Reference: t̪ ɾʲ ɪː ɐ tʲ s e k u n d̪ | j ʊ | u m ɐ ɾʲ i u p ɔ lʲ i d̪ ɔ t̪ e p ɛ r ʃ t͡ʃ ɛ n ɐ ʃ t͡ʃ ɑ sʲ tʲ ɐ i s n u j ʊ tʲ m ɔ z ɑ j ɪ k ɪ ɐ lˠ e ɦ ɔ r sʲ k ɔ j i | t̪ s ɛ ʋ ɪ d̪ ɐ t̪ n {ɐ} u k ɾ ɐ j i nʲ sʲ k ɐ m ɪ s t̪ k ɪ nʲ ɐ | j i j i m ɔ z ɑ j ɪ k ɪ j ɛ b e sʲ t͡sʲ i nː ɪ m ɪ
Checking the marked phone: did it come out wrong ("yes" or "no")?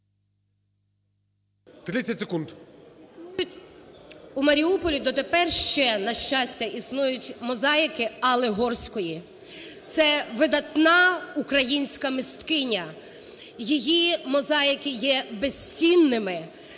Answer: yes